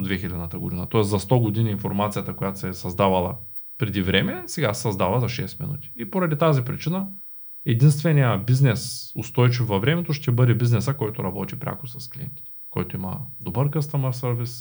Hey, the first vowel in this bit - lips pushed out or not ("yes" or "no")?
no